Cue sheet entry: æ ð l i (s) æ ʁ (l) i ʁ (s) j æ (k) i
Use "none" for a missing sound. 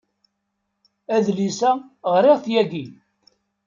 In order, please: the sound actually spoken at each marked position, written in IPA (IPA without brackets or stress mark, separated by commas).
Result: s, ɾ, θ, ɡ